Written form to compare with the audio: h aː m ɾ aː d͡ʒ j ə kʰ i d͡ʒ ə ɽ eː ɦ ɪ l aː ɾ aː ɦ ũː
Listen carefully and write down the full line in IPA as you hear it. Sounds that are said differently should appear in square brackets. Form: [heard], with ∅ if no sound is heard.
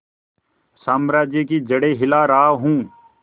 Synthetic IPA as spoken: [s] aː m ɾ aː d͡ʒ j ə [k] i d͡ʒ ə ɽ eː ɦ ɪ l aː ɾ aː ɦ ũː